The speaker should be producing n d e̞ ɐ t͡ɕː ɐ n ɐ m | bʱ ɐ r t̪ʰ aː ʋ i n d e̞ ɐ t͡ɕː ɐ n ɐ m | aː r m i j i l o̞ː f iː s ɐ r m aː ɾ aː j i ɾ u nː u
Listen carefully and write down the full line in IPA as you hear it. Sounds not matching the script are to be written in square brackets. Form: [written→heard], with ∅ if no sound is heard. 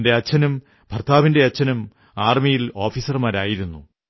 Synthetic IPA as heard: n d e̞ ɐ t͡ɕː ɐ n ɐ m | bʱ ɐ r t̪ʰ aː ʋ i n d e̞ ɐ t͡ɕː ɐ n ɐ m | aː r m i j i l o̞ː f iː s ɐ r m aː ɾ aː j i ɾ u nː u